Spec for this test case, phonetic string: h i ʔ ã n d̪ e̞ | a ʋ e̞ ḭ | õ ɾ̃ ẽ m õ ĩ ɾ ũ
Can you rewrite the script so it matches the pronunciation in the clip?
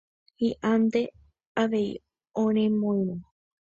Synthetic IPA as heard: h i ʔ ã n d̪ e̞ | a ʋ e̞ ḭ | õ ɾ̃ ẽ m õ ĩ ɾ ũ